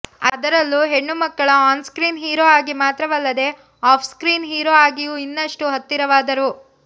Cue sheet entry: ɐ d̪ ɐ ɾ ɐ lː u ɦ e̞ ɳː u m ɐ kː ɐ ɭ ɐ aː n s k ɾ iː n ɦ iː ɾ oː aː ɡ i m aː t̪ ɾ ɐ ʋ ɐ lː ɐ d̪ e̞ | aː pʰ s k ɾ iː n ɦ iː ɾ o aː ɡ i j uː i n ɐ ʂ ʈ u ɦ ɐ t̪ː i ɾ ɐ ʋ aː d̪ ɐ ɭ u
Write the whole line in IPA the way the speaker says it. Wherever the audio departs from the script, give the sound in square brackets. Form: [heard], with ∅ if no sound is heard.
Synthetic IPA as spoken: ɐ d̪ ɐ ɾ ɐ lː u ɦ e̞ ɳː u m ɐ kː ɐ ɭ ɐ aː n s k ɾ iː n ɦ iː ɾ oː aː ɡ i m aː t̪ ɾ ɐ ʋ ɐ lː ɐ d̪ e̞ | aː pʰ s k ɾ iː n ɦ iː ɾ o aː ɡ i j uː i [nː] ɐ ʂ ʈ u ɦ ɐ t̪ː i ɾ ɐ ʋ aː d̪ ɐ [ɾ] u